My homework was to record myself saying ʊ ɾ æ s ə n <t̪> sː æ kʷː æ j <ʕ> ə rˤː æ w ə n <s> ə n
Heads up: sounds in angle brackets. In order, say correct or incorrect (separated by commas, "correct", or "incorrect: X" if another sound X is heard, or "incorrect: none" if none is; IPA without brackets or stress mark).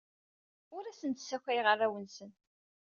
correct, incorrect: ʁ, correct